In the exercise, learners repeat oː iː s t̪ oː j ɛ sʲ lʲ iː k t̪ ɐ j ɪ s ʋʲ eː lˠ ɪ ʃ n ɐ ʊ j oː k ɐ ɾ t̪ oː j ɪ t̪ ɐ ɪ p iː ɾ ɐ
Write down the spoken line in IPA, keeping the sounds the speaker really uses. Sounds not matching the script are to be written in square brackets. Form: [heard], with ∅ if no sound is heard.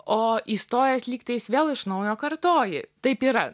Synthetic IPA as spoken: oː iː s t̪ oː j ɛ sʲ lʲ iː k t̪ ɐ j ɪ s ʋʲ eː lˠ ɪ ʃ n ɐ ʊ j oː k ɐ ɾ t̪ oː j ɪ t̪ ɐ ɪ p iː ɾ ɐ